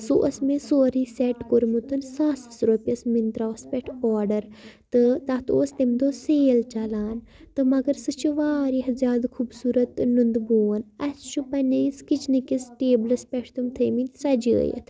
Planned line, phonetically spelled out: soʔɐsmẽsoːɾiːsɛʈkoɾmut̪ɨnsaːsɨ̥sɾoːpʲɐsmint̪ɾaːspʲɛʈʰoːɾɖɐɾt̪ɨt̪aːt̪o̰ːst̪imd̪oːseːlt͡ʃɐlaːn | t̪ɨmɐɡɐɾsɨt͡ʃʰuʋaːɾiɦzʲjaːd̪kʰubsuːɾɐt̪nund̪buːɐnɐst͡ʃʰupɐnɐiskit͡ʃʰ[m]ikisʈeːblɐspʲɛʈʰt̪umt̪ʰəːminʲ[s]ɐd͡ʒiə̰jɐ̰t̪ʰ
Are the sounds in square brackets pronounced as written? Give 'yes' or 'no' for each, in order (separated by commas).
no, yes